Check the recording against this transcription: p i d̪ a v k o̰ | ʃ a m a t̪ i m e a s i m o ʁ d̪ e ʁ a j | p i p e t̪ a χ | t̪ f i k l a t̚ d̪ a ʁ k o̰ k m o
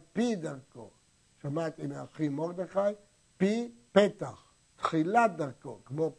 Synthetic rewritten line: p i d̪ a ʁ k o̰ | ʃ a m a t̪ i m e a χ i m o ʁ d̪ e χ a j | p i p e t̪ a χ | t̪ χ i l a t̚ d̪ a ʁ k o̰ k m o